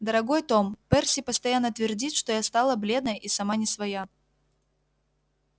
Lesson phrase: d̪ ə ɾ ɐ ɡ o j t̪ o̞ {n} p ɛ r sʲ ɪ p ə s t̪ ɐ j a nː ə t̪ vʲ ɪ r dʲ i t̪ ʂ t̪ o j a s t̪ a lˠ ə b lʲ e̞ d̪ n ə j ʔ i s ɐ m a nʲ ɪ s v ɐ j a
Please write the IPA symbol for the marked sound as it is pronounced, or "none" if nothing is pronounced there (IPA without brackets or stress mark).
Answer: m